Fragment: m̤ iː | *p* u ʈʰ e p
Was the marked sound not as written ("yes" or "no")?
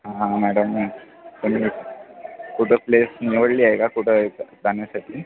yes